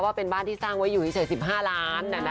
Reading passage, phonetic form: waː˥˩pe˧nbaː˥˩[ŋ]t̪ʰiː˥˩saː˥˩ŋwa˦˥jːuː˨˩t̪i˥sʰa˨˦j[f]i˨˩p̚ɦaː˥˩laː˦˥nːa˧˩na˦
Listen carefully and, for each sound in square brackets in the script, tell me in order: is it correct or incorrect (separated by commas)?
incorrect, incorrect